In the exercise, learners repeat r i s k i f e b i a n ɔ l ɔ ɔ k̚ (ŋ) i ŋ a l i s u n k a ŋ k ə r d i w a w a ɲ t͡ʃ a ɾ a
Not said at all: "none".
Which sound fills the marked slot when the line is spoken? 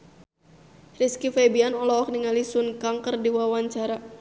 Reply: n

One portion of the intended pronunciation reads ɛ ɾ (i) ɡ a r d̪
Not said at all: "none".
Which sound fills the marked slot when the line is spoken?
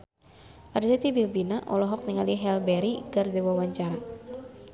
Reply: i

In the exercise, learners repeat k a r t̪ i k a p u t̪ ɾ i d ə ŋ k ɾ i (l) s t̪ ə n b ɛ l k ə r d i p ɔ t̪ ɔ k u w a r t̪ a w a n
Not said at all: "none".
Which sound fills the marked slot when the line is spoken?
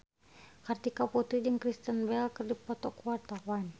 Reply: none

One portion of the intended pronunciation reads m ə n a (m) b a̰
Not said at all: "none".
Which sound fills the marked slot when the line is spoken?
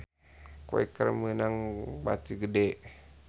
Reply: ŋ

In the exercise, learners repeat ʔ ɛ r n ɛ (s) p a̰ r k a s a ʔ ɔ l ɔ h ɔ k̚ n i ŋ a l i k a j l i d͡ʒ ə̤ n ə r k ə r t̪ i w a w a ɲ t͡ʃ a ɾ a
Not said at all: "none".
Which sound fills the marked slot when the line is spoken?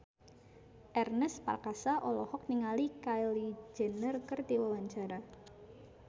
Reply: s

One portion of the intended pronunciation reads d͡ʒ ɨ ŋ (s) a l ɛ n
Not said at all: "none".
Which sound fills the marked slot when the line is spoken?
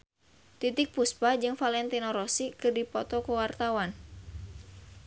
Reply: f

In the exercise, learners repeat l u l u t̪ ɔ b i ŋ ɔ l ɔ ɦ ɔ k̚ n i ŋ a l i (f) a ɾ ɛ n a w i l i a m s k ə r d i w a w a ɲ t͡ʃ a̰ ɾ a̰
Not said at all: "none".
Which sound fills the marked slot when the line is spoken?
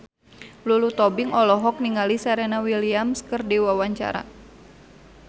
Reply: s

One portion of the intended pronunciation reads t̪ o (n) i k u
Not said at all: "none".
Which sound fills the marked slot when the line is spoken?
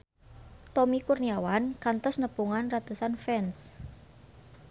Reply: m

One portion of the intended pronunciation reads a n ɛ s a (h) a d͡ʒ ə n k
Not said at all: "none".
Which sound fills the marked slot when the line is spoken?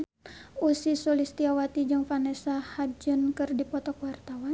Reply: h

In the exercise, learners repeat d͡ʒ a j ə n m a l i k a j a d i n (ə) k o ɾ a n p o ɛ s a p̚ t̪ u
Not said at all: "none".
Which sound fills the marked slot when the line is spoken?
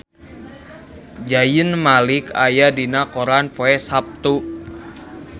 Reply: a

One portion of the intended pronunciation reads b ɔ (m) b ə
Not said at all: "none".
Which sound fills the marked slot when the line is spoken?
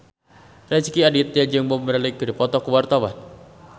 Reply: m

